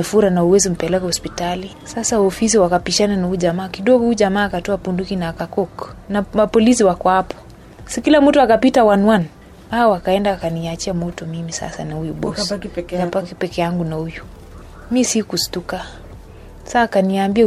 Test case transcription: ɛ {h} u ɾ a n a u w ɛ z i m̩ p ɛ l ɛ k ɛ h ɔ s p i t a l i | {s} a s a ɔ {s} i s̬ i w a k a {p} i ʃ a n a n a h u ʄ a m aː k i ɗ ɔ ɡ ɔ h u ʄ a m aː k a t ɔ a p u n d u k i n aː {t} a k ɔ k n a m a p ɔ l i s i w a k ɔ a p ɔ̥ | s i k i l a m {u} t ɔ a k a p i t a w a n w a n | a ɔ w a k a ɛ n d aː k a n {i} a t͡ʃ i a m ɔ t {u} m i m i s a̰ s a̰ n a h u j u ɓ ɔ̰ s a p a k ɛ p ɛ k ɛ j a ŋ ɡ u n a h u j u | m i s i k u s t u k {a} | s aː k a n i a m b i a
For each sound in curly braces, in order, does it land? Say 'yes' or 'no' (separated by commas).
no, yes, no, yes, no, yes, yes, no, yes